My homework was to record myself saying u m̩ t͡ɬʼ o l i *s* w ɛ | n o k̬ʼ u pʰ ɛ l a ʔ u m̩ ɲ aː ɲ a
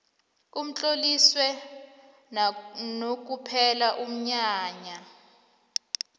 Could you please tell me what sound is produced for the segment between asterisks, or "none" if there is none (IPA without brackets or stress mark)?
s